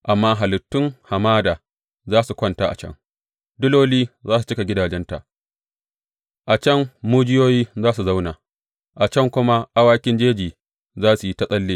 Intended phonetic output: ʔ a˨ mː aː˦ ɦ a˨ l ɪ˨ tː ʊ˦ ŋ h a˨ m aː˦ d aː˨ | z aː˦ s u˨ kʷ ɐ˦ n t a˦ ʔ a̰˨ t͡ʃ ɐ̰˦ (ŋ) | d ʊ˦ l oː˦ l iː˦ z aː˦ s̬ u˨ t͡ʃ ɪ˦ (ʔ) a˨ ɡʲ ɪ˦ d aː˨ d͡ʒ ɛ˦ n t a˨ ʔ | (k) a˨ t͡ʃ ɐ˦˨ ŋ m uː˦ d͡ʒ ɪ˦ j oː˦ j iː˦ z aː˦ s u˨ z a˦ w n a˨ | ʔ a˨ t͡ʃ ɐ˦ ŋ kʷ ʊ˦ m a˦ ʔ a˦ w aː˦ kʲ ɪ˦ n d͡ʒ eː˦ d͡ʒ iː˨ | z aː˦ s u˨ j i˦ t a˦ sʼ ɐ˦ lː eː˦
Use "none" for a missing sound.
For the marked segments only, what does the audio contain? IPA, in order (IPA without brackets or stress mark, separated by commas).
ŋ, k, ʔ